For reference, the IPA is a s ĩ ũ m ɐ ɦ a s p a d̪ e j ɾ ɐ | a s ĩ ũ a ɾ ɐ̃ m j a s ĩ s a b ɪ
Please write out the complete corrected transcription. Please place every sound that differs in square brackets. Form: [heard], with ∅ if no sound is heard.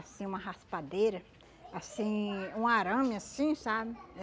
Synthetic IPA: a s ĩ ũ m ɐ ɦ a s p a d̪ e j ɾ ɐ | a s ĩ ũ a ɾ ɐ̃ m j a s ĩ s a b ɪ